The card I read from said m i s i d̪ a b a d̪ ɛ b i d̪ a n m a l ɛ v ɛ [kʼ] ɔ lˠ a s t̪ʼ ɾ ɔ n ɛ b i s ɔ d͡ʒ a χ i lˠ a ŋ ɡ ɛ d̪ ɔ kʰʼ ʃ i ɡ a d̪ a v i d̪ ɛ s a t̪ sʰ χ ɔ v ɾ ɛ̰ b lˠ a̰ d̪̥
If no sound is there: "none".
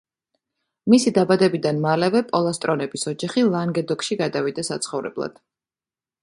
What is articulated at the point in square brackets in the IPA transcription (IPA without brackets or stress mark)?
pʼ